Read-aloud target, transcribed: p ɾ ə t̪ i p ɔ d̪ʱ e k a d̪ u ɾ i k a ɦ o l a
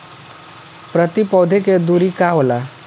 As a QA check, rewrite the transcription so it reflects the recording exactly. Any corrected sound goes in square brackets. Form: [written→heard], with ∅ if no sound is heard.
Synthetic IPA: p ɾ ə t̪ i p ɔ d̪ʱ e k [a→e] d̪ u ɾ i k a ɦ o l a